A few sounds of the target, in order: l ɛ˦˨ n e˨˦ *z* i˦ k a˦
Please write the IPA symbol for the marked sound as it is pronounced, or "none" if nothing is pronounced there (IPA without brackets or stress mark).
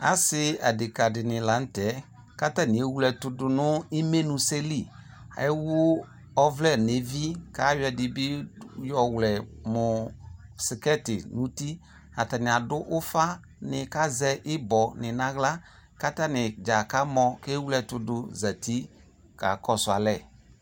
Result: v